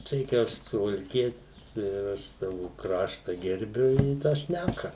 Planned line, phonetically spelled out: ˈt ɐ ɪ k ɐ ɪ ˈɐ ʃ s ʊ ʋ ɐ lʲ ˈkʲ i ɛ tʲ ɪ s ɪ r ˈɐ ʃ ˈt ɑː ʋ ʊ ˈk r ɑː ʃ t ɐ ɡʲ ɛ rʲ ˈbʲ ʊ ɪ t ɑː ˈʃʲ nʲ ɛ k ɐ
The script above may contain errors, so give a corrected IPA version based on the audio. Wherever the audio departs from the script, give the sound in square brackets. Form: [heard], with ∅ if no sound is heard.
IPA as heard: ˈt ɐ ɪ k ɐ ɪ ˈɐ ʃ s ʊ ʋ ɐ lʲ ˈkʲ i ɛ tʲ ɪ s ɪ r ˈɐ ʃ [ˈs] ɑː ʋ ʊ ˈk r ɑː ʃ t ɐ ɡʲ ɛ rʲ ˈbʲ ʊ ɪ t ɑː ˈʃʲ nʲ [æ] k ɐ